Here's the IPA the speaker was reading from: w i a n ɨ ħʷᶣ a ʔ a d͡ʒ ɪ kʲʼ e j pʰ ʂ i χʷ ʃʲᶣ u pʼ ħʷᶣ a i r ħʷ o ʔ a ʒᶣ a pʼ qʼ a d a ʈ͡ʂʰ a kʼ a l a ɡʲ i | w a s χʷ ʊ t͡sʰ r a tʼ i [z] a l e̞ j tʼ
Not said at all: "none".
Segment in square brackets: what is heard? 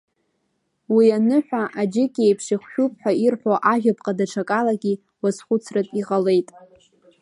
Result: ʁ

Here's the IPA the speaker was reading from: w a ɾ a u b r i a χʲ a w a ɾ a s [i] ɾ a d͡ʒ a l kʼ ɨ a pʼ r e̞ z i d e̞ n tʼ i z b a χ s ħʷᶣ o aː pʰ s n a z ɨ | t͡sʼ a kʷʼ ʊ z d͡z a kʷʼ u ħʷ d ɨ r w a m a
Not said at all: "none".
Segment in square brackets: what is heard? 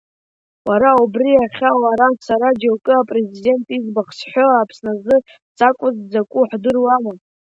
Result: a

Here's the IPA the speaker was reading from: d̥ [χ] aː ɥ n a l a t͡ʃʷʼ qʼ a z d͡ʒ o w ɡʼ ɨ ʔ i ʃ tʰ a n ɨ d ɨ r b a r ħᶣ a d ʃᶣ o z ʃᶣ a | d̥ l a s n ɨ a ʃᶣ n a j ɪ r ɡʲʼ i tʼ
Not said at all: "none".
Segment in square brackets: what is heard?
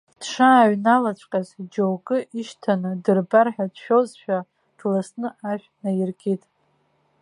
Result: ʂ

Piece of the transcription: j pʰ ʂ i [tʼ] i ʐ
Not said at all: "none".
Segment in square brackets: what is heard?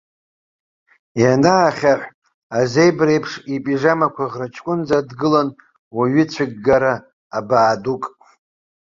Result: pʼ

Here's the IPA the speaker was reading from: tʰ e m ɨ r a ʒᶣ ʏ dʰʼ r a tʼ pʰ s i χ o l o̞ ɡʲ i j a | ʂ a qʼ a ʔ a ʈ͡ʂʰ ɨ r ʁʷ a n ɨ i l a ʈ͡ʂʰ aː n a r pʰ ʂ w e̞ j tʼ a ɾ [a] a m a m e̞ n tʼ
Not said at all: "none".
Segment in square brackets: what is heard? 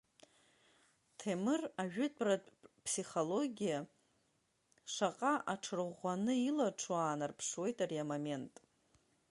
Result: i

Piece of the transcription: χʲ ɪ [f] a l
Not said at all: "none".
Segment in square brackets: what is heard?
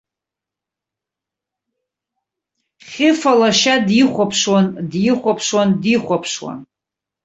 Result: f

